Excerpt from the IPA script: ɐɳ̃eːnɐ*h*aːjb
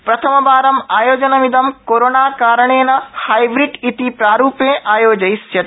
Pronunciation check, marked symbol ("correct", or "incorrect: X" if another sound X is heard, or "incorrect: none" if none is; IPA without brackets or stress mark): correct